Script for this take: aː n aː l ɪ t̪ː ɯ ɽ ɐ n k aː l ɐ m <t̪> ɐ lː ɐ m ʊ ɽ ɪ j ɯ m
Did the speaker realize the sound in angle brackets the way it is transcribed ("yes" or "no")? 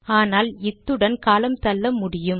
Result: yes